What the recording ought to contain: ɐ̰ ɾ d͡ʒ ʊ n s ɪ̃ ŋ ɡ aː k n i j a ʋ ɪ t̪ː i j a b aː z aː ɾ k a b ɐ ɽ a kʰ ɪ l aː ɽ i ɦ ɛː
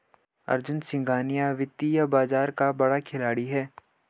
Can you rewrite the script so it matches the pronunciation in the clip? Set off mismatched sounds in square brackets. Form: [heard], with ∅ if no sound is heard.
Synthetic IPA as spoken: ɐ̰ ɾ d͡ʒ ʊ n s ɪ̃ ŋ ɡ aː [∅] n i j a ʋ ɪ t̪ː i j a b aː z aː ɾ k a b ɐ ɽ a kʰ ɪ l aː ɽ i ɦ ɛː